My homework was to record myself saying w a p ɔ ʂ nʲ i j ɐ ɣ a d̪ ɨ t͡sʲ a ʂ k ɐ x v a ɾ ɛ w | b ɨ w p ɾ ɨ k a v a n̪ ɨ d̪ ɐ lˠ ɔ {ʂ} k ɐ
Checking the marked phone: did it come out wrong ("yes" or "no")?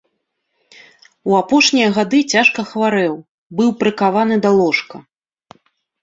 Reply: no